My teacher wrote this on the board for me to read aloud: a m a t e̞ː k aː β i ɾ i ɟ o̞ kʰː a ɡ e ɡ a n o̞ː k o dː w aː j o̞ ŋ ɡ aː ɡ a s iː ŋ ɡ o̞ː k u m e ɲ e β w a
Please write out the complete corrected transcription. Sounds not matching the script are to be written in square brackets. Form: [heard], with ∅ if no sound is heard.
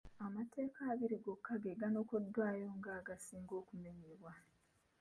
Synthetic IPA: a m a t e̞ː k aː β i ɾ i [ɡ] o̞ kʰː a ɡ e ɡ a n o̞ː k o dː w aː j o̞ ŋ ɡ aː ɡ a s iː ŋ ɡ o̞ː k u m e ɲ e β w a